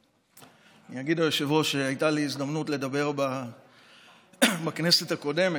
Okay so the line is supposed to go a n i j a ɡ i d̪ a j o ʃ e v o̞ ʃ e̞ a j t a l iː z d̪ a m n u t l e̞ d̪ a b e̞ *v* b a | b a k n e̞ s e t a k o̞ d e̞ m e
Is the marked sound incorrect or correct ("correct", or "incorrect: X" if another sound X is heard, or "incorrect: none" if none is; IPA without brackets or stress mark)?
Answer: incorrect: ʁ